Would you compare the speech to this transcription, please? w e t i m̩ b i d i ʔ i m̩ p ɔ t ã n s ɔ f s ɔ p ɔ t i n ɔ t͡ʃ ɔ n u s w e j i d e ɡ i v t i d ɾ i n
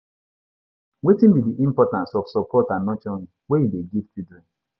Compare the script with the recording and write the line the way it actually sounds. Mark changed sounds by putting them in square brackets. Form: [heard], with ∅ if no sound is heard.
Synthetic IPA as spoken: w e t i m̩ b i d i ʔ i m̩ p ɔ t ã n s ɔ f s ɔ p ɔ t [a] n ɔ t͡ʃ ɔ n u [∅] w e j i d e ɡ i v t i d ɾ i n